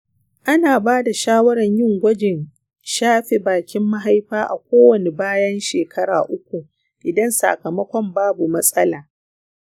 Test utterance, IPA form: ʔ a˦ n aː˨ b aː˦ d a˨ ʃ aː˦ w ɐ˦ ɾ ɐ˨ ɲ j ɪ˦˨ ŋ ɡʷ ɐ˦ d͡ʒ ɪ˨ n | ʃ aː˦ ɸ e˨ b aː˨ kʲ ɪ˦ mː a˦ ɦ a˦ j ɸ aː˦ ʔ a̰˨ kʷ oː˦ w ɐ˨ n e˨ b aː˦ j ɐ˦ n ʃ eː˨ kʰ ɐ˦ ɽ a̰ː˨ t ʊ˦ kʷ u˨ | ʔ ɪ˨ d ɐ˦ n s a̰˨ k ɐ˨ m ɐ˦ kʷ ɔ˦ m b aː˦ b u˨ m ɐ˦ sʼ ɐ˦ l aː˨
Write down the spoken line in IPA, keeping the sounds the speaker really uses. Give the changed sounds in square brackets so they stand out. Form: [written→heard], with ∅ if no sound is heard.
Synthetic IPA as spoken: ʔ a˦ n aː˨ b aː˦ d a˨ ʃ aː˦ w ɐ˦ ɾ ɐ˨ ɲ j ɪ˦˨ ŋ ɡʷ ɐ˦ d͡ʒ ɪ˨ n | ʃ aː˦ ɸ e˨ b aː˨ kʲ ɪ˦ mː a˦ ɦ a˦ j ɸ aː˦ ʔ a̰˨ kʷ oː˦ w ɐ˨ n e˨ b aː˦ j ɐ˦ n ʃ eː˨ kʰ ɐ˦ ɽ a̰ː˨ [t→ʔ] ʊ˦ kʷ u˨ | ʔ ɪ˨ d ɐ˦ n s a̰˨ k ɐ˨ m ɐ˦ kʷ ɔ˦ m b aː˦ b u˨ m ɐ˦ sʼ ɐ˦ l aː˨